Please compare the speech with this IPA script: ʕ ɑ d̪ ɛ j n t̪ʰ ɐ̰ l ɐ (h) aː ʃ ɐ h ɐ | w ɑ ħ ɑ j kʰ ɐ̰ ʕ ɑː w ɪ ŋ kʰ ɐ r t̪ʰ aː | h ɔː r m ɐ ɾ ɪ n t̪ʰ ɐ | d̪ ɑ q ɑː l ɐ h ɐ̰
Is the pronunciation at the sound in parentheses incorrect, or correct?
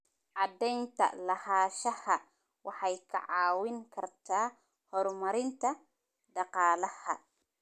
correct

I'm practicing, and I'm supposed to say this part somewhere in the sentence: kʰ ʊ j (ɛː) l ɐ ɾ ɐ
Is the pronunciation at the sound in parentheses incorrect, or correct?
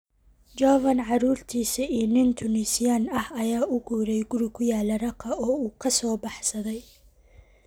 incorrect: aː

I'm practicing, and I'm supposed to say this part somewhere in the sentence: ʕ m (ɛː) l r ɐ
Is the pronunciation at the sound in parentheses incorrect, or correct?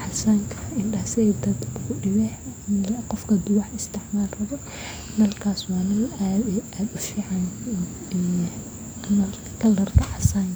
incorrect: aː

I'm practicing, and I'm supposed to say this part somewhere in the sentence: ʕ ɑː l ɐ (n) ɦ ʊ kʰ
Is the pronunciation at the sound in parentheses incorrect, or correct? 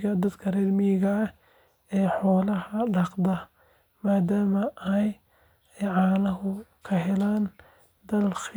incorrect: none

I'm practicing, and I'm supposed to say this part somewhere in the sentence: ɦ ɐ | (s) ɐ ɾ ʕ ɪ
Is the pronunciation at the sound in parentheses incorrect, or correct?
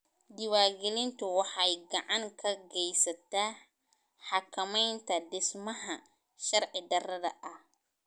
incorrect: ʃ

